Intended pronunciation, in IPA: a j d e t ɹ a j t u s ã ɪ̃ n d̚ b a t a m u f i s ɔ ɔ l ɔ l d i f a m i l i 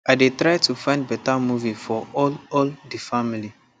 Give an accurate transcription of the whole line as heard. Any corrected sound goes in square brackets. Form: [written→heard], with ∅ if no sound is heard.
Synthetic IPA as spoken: a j d e t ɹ a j t u [s→f] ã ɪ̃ n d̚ b [a→ɛ] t a m u [f→v] i [s→f] ɔ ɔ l ɔ l d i f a m i l i

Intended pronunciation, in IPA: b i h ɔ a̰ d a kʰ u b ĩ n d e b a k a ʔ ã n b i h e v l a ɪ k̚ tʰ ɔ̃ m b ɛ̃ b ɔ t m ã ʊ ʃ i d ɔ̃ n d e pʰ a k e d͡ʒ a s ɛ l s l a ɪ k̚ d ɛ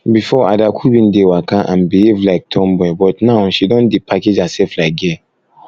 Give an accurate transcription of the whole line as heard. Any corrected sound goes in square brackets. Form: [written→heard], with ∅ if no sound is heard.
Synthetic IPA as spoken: b i [h→f] ɔ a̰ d a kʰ u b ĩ n d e [b→w] a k a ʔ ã n b i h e v l a ɪ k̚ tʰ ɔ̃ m b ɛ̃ b ɔ t [m→n] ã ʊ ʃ i d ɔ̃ n d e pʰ a k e d͡ʒ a s ɛ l [s→f] l a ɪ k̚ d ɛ

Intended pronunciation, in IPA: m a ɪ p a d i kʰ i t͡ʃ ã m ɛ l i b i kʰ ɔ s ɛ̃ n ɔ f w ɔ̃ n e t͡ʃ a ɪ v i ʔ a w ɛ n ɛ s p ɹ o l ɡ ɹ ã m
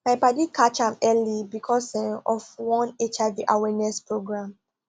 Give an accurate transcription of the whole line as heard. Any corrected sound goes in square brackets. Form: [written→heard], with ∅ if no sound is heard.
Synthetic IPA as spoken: m a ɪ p a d i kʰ [i→a] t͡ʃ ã m ɛ l i b i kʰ ɔ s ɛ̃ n ɔ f w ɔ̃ n e t͡ʃ a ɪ v i ʔ a w ɛ n ɛ s p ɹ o [l→∅] ɡ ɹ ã m

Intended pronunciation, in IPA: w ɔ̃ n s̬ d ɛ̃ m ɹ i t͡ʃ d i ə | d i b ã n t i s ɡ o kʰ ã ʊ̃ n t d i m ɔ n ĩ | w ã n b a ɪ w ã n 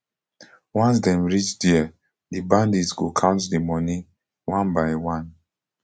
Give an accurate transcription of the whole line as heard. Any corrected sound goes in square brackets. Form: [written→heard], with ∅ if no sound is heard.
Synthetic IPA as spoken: w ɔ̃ n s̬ d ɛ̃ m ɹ i t͡ʃ d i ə | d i b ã n [t→d] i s ɡ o kʰ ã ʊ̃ n t d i m ɔ n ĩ | w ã n b a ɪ w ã n

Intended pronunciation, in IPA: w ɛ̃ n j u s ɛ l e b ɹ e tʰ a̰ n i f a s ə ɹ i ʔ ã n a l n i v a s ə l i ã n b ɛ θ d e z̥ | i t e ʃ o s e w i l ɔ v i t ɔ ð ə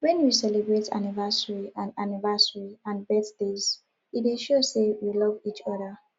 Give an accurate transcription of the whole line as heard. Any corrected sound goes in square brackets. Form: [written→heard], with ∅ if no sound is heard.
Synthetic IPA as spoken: w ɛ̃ n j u s ɛ l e b ɹ e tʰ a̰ n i [f→v] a s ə ɹ i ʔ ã n a [l→∅] n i v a s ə [l→ɹ] i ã n b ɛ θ d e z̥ | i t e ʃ o s e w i l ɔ v i [t→t͡ʃ] ɔ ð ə

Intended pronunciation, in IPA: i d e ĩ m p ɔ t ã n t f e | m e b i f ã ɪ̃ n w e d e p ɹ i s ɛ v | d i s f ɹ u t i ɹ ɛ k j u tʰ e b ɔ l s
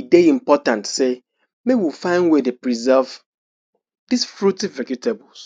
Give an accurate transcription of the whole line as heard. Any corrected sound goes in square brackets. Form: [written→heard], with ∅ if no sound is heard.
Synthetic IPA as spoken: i d e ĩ m p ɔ t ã n t [f→s] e | m e [b→w] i f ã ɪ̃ n w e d e p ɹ i [s→z] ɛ v | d i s f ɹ u t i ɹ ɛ k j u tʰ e b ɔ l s

